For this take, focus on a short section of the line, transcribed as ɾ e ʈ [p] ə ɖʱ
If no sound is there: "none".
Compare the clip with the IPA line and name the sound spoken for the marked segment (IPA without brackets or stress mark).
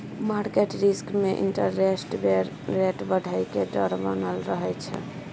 b